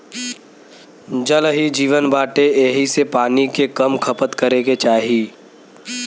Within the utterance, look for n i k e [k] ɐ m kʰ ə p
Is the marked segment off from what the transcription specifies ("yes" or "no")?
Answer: no